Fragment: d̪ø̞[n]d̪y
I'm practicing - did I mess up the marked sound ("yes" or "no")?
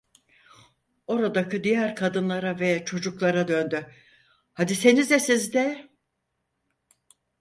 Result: no